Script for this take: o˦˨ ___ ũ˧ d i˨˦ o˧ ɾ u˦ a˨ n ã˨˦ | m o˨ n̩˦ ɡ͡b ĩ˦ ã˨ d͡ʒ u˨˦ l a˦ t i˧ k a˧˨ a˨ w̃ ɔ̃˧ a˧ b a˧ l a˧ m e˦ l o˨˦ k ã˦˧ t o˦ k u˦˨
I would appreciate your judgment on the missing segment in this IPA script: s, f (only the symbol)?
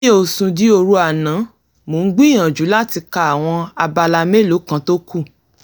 s